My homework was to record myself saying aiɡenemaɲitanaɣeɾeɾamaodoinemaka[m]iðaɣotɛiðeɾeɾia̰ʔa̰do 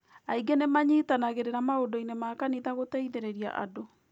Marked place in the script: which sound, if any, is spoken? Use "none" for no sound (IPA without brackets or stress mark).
n